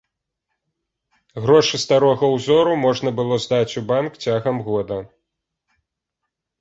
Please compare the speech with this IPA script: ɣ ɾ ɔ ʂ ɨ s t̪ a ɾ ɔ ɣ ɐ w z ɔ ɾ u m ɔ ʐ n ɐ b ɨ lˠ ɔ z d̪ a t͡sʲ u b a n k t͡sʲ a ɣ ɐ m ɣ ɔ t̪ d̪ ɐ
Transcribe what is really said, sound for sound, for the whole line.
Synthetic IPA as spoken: ɣ ɾ ɔ ʂ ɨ s t̪ a ɾ ɔ ɣ ɐ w z ɔ ɾ u m ɔ ʐ n ɐ b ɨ lˠ ɔ z d̪ a t͡sʲ u b a n k t͡sʲ a ɣ ɐ m ɣ ɔ d̪ ɐ